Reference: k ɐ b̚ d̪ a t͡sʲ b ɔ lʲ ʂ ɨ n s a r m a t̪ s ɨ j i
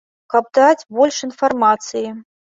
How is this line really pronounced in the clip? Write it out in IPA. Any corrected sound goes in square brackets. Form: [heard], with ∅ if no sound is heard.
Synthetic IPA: k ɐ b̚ d̪ a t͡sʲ b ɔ lʲ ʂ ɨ n [f] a r m a t̪ s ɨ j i